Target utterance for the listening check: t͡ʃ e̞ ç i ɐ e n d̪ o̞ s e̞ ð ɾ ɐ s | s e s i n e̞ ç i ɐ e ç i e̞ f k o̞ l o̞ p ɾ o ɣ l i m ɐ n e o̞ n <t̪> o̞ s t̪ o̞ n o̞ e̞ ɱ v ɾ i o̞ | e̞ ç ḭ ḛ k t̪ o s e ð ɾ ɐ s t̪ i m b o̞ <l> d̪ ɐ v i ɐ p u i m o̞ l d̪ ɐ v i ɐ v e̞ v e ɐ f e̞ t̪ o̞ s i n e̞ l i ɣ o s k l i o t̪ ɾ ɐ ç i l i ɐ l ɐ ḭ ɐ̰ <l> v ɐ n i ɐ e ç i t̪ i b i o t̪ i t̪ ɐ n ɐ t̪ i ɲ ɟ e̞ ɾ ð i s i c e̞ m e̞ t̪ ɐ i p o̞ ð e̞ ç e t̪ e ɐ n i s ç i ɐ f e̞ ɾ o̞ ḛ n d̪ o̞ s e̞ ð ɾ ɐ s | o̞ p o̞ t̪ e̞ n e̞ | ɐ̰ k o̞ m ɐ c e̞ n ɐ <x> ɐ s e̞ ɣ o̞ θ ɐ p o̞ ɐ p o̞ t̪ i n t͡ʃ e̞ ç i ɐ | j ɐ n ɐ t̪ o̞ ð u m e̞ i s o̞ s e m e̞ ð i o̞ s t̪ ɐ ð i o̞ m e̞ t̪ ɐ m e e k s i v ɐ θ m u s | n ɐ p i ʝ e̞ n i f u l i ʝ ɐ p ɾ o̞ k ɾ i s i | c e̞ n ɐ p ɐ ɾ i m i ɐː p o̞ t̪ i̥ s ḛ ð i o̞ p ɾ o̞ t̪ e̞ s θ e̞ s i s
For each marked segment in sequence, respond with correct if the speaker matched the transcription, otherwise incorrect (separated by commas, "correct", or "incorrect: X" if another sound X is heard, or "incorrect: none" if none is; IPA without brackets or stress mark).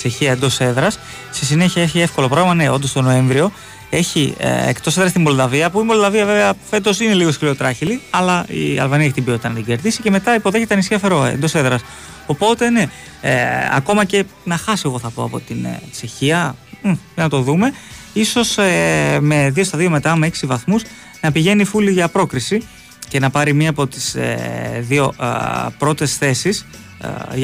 incorrect: d̪, correct, correct, correct